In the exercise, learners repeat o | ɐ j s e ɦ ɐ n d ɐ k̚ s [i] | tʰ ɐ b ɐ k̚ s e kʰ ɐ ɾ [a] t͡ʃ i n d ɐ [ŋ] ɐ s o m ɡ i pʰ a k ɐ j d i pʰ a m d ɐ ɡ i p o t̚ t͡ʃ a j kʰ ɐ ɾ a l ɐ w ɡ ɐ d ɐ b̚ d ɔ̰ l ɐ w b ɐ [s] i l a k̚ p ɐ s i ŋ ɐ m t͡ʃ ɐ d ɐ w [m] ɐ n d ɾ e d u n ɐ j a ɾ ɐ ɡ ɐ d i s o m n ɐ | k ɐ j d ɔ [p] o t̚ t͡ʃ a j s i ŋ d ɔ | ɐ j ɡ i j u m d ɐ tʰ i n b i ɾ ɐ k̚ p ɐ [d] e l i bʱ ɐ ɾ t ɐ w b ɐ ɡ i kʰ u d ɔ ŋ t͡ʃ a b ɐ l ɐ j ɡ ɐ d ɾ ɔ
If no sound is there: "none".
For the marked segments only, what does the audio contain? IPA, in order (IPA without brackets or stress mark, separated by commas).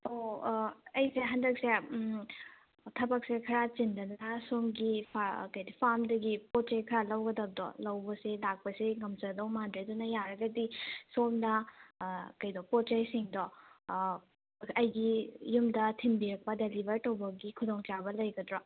e, a, n, s, m, p, d